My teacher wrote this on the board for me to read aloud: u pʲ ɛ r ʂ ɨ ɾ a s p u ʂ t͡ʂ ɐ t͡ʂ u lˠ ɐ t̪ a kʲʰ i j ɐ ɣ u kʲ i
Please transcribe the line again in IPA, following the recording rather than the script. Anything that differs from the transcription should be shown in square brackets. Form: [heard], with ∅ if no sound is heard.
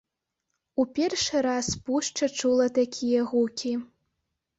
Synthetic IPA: u pʲ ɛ r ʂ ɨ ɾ a s p u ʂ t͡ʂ ɐ t͡ʂ u lˠ ɐ t̪ a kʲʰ i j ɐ ɣ u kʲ i